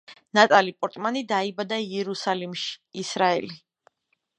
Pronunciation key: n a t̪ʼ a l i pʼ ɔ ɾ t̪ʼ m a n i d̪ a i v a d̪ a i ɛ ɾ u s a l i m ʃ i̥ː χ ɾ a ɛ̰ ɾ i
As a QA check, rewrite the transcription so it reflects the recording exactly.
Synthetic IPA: n a t̪ʼ a l i pʼ ɔ ɾ t̪ʼ m a n i d̪ a i b a d̪ a i ɛ ɾ u s a l i m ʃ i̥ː s ɾ a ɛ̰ l i